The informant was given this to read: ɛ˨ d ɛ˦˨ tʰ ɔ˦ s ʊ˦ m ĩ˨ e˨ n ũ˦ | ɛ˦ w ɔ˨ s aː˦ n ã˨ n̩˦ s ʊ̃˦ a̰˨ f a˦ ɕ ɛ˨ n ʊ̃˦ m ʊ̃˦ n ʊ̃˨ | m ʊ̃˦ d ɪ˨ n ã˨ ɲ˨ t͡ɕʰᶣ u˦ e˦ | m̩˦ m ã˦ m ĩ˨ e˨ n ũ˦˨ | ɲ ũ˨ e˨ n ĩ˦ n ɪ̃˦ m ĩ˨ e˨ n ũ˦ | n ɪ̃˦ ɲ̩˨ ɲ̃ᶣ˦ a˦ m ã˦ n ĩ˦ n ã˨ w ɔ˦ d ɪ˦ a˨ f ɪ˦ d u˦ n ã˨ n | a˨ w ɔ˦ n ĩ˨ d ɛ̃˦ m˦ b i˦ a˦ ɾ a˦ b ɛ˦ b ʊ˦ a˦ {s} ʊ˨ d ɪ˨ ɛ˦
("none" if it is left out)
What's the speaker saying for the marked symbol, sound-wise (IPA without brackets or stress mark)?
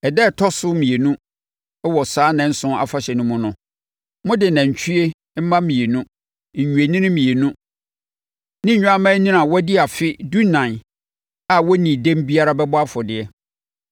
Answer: f